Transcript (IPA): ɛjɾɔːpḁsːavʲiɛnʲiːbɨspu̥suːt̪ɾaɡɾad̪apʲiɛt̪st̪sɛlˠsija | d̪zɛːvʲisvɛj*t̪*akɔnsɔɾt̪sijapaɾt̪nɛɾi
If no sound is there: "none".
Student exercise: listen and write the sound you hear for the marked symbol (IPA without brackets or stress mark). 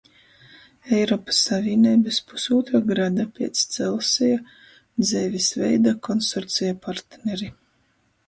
d̪